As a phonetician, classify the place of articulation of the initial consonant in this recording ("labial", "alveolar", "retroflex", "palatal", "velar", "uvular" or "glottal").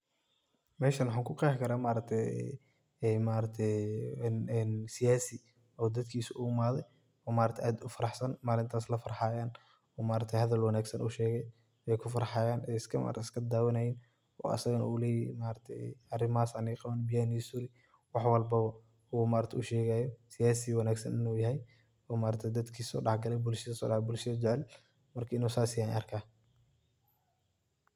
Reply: labial